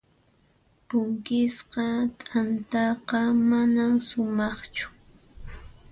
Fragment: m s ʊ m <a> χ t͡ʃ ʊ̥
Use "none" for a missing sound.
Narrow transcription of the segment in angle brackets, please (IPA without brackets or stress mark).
ɑ